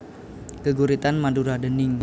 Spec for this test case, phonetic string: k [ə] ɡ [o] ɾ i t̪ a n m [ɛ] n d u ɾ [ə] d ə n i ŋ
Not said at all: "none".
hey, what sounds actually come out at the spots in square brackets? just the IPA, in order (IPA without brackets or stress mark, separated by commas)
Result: ə, u, a, a